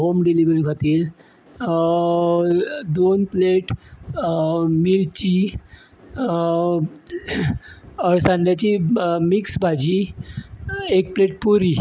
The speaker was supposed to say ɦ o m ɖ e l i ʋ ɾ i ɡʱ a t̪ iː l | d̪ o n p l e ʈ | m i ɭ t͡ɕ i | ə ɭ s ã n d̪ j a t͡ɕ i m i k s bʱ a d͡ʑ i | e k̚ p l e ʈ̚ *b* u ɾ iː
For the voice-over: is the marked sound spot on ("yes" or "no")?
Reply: no